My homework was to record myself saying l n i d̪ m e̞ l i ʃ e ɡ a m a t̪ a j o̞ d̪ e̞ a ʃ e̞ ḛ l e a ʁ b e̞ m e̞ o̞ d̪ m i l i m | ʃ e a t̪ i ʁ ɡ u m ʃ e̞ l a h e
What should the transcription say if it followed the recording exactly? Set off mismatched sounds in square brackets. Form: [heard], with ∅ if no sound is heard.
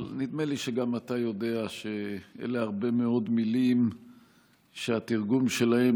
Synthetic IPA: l n i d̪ m e̞ l i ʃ e ɡ a m a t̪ a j o̞ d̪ e̞ a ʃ e̞ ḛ l e a ʁ b e̞ m e̞ o̞ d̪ m i l i m | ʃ e a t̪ i ʁ ɡ u m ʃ e̞ l a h e

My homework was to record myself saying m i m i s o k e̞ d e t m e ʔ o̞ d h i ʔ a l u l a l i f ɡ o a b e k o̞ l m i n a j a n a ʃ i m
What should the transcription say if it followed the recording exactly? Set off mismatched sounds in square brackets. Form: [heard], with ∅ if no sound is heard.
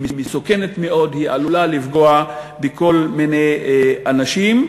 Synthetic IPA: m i m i s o k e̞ [n] e t m e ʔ o̞ d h i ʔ a l u l a l i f ɡ o a b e k o̞ l m i n [e] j a n a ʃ i m

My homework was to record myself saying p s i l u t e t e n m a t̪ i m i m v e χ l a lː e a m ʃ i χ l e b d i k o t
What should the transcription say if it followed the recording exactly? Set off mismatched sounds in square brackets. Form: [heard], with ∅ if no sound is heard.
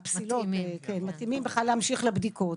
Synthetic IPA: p s i l [o] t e [k] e n m a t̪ i m i m [b] e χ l a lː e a m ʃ i χ l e b d i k o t

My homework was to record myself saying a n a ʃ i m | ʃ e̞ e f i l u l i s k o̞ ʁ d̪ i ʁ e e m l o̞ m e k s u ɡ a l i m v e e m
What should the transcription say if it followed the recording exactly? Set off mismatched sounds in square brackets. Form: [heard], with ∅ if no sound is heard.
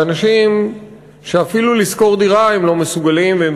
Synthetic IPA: a n a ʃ i m | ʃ e̞ [a] f i l u l i s k o̞ ʁ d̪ i ʁ [a] e m l o̞ m e [∅] s u ɡ a l i m v e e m

